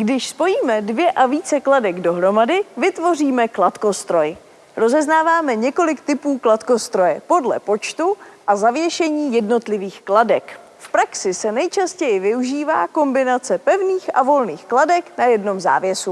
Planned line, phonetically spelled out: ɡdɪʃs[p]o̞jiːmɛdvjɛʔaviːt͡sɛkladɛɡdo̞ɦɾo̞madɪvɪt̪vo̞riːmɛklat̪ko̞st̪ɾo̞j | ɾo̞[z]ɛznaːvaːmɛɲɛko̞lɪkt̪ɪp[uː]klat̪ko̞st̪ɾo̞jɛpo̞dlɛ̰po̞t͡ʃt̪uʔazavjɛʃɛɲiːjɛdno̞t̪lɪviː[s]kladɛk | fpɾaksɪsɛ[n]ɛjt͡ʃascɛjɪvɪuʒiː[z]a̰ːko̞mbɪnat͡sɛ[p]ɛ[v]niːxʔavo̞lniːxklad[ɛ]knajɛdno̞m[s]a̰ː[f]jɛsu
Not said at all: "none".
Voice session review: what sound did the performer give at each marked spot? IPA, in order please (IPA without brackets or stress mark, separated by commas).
p, z, uː, x, n, v, p, v, ɛ, z, v